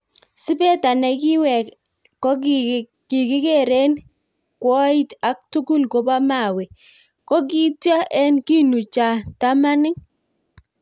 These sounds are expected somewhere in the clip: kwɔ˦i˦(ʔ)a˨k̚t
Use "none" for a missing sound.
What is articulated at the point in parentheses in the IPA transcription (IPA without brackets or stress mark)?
t